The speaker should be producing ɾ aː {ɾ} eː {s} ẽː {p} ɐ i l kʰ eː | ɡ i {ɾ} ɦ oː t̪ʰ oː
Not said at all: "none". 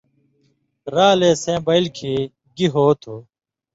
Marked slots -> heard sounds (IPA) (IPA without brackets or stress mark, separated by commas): l, s, b, none